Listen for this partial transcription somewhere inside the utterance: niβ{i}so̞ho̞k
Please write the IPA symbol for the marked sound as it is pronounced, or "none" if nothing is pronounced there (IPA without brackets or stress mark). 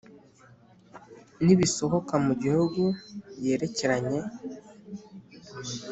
i